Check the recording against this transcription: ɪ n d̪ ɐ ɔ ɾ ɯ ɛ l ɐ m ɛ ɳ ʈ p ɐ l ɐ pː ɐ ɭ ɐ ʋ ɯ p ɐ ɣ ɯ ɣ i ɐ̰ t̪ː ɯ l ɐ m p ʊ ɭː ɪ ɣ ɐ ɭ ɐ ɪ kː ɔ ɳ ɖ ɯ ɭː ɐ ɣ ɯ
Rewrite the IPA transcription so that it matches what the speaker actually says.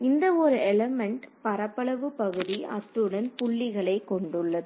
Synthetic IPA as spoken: ɪ n d̪ ɐ ɔ ɾ ɯ ɛ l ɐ m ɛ ɳ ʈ p ɐ ɾ ɐ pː ɐ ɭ ɐ ʋ ɯ p ɐ ɣ ɯ ð i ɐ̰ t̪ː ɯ ɽ ɐ n p ʊ ɭː ɪ ɣ ɐ ɭ ɐ ɪ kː ɔ ɳ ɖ ɯ ɭː ɐ ð ɯ